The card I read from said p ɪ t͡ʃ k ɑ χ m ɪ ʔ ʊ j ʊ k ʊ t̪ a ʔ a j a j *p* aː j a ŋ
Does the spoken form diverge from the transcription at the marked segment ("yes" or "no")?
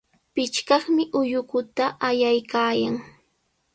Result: yes